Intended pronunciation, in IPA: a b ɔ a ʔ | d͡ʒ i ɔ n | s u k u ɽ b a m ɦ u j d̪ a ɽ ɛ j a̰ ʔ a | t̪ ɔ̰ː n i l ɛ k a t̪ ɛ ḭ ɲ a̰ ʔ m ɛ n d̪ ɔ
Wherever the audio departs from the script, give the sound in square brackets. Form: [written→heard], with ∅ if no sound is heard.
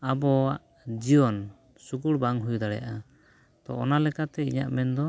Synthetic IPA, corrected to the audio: a b ɔ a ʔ | d͡ʒ i ɔ n | s u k u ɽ b a [m→ŋ] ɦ u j d̪ a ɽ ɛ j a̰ ʔ a | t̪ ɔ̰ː n [i→a] l ɛ k a t̪ ɛ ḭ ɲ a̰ ʔ m ɛ n d̪ ɔ